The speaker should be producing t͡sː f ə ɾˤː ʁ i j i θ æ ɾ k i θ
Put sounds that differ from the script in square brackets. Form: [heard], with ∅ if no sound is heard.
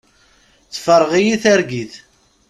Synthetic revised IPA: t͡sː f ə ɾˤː ʁ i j i θ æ ɾ [ɡ] i θ